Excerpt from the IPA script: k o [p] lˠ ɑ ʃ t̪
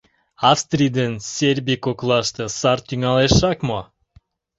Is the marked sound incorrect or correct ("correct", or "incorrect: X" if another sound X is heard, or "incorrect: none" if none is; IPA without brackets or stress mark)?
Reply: incorrect: k